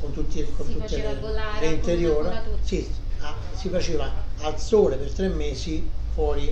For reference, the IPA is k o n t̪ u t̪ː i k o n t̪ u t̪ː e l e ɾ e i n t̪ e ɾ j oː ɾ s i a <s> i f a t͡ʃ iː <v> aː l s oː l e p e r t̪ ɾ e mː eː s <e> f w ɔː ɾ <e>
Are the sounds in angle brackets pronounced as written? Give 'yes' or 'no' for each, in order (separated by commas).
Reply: yes, yes, no, no